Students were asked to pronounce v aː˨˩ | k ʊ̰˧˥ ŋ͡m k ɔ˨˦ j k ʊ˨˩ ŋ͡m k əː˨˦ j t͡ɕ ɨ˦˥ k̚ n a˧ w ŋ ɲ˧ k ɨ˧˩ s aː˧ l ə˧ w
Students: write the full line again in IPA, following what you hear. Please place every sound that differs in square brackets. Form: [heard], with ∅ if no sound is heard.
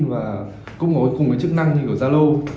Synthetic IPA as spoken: v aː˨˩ | k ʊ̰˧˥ ŋ͡m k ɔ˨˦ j k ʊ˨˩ ŋ͡m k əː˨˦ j t͡ɕ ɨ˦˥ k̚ n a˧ [∅] ŋ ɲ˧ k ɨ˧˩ [z] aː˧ l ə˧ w